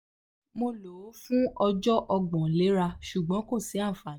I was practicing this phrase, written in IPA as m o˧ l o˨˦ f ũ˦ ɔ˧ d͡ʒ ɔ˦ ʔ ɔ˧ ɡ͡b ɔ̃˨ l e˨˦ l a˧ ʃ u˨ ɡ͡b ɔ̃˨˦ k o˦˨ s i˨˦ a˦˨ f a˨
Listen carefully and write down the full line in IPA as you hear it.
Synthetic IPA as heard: m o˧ l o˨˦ f ũ˦ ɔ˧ d͡ʒ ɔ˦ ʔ ɔ˧ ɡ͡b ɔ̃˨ l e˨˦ ɾ a˧ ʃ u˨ ɡ͡b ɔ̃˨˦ k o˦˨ s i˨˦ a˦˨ f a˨